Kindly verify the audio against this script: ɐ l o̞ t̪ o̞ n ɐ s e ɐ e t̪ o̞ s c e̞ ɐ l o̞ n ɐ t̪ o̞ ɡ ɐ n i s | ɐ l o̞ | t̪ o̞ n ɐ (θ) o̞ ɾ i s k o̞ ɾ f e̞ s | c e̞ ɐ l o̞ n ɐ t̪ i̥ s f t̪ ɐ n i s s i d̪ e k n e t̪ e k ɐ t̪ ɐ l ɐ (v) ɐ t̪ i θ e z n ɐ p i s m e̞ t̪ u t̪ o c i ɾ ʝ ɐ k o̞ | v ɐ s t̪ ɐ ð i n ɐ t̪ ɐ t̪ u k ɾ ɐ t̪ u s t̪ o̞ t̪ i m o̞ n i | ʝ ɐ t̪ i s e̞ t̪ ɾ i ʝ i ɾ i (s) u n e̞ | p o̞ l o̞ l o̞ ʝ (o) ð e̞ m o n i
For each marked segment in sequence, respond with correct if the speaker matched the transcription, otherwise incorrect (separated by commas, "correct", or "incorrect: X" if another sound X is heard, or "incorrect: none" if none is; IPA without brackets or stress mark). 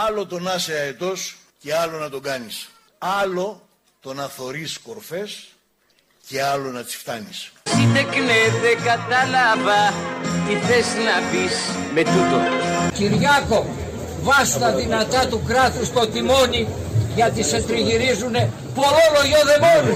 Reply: correct, correct, incorrect: z, correct